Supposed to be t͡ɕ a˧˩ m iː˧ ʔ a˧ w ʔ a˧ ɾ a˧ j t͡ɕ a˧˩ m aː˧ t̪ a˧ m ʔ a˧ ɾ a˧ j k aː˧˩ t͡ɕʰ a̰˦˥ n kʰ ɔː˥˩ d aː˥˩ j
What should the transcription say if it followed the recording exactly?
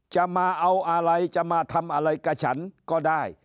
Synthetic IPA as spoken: t͡ɕ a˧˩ m aː˧ ʔ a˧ w ʔ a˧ ɾ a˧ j t͡ɕ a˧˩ m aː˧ t̪ʰ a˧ m ʔ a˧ ɾ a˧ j k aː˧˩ t͡ɕʰ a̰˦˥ n k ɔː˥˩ d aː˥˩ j